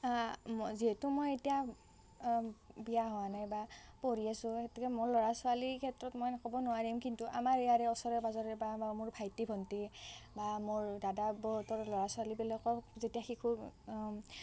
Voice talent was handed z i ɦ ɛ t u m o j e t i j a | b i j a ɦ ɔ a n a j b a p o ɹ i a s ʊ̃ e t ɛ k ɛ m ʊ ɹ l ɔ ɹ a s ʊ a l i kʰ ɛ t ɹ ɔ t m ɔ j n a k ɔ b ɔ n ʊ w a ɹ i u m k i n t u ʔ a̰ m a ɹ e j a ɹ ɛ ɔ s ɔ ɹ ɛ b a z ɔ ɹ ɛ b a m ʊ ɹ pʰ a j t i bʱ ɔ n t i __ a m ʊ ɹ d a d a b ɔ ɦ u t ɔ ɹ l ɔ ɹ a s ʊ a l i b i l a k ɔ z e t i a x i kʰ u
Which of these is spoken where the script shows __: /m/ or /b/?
b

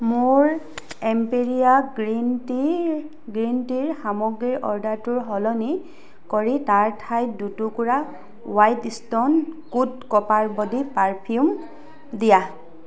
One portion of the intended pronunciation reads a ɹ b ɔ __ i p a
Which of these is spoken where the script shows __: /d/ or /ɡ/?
d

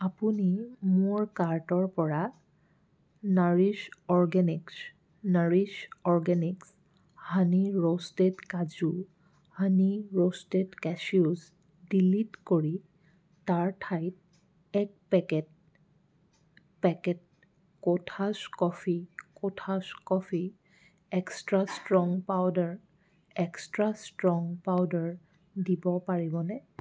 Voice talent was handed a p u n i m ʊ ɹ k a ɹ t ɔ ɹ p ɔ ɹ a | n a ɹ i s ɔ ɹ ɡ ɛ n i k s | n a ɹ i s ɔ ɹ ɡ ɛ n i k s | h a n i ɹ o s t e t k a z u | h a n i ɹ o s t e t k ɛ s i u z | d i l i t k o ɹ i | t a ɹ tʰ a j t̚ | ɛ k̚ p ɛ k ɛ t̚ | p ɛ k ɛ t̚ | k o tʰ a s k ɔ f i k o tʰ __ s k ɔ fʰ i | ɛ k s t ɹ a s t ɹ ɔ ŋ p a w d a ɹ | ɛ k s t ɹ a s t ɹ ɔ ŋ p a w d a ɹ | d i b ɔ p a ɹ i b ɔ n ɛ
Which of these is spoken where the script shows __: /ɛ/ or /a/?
a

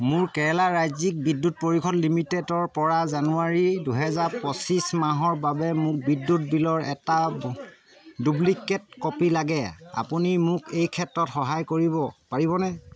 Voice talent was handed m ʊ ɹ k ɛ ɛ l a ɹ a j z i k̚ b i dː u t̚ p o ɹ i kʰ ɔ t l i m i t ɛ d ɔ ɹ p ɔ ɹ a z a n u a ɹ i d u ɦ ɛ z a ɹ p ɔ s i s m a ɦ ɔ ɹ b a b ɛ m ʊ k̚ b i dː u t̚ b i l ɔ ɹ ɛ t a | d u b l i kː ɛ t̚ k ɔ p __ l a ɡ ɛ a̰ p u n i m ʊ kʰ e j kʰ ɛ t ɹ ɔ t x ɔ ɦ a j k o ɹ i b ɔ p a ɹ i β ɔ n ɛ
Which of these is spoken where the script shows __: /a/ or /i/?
i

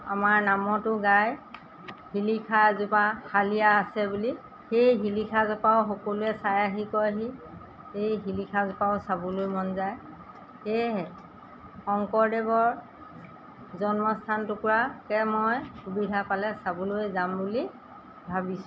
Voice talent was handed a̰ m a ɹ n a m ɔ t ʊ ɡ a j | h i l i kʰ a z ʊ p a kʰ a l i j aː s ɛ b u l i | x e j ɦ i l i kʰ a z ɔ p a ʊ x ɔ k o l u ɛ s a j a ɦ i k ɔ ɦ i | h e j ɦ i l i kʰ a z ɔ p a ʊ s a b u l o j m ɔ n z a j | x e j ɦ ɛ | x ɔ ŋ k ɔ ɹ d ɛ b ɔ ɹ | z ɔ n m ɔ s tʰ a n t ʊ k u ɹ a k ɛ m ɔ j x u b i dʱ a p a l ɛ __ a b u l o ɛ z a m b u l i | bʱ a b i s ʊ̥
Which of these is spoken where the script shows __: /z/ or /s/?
s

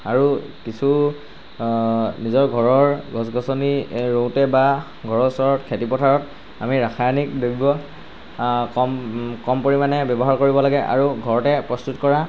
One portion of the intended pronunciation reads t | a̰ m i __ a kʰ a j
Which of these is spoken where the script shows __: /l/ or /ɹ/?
ɹ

